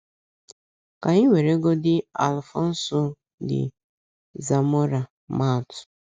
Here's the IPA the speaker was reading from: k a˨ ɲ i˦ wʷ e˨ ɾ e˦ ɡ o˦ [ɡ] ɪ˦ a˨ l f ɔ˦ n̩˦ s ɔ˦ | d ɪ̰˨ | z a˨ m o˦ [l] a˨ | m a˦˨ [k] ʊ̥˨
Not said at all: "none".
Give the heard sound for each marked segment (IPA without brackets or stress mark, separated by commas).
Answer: d, ɾ, t